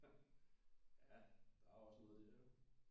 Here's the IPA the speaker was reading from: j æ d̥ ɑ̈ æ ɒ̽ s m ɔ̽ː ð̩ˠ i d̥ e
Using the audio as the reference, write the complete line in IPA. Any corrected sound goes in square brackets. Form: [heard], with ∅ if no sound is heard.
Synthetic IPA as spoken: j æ d̥ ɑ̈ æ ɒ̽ s [n] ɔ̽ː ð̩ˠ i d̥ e